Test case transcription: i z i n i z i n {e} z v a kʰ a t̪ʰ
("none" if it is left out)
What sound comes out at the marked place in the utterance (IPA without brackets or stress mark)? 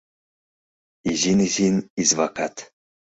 i